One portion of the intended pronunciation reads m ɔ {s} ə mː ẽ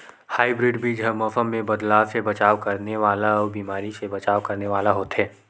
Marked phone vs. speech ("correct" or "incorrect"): incorrect